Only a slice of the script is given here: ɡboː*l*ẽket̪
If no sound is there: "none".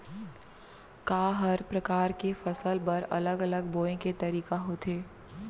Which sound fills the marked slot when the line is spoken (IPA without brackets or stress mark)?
none